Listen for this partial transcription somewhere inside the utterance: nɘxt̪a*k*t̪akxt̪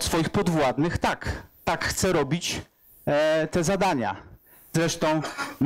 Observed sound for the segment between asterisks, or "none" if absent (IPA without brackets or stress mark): k